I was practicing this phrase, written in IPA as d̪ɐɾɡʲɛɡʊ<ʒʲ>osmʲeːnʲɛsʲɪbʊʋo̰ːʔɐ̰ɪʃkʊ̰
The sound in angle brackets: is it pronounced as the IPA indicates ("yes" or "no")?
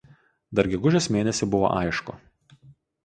yes